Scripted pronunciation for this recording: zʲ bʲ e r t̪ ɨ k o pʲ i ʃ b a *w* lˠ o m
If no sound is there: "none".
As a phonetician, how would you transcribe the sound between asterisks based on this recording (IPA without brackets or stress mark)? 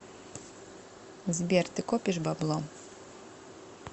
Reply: b